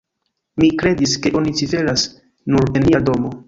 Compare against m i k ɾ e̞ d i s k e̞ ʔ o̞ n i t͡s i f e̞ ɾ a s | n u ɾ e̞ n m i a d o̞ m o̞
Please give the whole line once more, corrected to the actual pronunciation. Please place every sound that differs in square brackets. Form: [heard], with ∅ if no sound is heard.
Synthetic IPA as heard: m i k ɾ e̞ d i s k e̞ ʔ o̞ n i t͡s i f e̞ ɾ a s | n u ɾ e̞ n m i a d o̞ m o̞